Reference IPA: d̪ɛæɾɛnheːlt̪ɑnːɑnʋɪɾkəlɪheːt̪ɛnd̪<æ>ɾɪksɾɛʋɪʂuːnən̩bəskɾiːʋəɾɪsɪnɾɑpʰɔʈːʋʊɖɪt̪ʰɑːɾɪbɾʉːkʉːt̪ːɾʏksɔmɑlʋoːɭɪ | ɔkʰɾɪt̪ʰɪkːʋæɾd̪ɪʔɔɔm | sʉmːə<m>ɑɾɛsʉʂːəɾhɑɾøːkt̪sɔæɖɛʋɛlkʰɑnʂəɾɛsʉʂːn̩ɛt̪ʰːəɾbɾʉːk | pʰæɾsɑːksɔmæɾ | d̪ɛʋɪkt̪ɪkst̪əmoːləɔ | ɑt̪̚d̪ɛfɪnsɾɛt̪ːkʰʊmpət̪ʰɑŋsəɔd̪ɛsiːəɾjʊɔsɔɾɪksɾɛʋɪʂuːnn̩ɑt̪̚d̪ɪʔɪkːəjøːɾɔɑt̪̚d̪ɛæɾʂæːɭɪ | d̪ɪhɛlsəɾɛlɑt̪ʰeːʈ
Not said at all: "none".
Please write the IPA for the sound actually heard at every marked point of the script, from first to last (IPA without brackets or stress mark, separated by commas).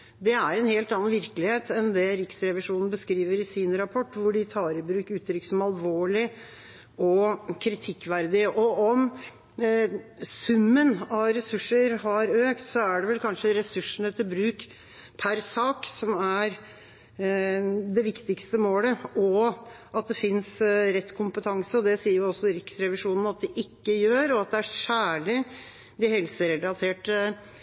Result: ɛ, n